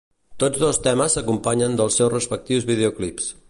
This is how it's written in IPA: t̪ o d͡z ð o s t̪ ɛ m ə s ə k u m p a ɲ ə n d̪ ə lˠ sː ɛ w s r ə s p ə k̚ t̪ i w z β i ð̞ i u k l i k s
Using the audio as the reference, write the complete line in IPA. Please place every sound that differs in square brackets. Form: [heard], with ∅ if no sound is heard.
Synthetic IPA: t̪ o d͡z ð o s t̪ ɛ m ə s ə k u m p a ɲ ə n d̪ ə lˠ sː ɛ w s r ə s p ə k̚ t̪ i w z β i ð̞ [e] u k l i [p] s